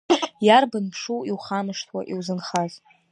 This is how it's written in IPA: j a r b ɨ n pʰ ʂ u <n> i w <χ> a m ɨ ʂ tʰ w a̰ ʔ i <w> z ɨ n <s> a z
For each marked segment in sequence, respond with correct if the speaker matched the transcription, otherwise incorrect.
incorrect, correct, correct, incorrect

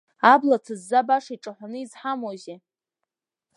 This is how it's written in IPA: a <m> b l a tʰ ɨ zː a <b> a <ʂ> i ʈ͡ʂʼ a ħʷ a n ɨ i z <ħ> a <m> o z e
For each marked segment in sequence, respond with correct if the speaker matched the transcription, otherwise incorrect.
incorrect, correct, correct, correct, correct

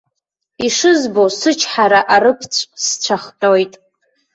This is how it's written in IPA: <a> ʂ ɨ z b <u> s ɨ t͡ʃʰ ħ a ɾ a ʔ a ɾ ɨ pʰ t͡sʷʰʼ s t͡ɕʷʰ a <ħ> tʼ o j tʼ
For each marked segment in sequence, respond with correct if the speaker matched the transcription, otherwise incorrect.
incorrect, incorrect, incorrect

